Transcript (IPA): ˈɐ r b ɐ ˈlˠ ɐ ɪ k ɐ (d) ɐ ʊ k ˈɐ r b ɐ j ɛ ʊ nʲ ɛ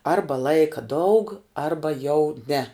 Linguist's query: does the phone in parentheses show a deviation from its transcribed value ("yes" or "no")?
no